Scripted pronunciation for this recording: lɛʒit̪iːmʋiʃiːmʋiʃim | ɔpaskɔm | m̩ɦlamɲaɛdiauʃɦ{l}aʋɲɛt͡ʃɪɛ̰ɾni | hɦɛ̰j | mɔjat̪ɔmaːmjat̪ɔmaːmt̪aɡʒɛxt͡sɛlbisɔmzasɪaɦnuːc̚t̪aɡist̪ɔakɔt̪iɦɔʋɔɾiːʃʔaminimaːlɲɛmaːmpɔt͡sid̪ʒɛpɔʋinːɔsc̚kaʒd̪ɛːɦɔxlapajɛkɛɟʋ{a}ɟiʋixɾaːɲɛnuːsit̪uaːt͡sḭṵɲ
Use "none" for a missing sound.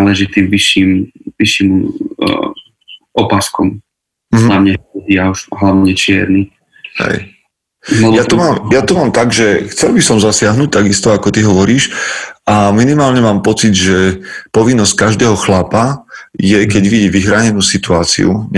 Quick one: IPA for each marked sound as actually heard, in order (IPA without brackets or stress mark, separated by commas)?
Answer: l, i